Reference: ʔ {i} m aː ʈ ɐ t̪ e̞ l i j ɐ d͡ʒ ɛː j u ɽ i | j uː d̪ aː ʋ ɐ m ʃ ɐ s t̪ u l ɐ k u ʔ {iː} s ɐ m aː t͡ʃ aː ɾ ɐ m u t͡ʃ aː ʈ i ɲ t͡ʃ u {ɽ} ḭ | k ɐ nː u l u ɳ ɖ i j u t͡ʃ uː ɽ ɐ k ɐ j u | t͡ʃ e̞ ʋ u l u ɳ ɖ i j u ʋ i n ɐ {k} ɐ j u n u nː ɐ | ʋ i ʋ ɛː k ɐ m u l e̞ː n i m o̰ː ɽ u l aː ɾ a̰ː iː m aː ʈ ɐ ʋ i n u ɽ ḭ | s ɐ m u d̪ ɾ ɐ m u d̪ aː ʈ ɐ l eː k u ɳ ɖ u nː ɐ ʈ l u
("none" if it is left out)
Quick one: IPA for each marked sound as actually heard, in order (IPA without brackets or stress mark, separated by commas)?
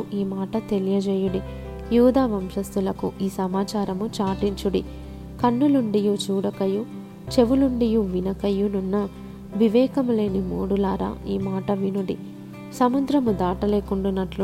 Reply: iː, iː, ɽ, k